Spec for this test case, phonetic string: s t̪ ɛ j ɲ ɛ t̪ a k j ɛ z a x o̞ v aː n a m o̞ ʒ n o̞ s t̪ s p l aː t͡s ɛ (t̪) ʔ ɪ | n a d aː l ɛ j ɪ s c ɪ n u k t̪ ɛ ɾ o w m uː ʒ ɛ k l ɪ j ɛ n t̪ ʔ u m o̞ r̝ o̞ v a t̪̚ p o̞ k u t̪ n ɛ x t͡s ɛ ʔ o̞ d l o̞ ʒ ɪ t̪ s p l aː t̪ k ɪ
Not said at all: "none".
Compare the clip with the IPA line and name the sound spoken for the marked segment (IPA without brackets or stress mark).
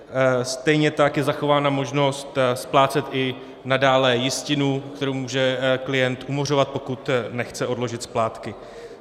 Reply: t̪